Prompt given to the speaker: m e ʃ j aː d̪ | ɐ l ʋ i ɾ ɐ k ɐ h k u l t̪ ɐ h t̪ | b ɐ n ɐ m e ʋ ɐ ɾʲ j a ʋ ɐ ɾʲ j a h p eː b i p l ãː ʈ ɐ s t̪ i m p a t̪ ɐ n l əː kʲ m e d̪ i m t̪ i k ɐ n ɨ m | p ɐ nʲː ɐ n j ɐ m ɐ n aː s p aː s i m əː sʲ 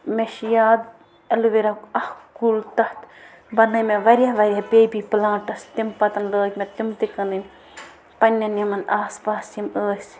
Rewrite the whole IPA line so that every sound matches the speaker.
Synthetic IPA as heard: m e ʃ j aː d̪ | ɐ l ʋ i ɾ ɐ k ɐ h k u l t̪ ɐ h t̪ | b ɐ n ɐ m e ʋ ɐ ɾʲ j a ʋ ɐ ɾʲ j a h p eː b i p l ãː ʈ ɐ s t̪ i m p ɐ t̪ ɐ n l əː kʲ m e t̪ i m t̪ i k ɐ n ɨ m | p ɐ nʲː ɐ n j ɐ m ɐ n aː s p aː s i m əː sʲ